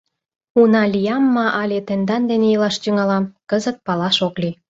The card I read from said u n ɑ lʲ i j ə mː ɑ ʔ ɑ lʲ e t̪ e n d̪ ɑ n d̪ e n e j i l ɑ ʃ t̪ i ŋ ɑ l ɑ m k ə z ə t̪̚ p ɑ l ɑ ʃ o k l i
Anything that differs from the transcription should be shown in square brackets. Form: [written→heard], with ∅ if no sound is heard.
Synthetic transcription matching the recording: u n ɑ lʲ i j [ə→ɑ] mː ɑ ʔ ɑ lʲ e t̪ e n d̪ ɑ n d̪ e n e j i l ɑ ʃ t̪ [i→y] ŋ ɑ l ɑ m k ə z ə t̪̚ p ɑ l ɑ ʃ o k l i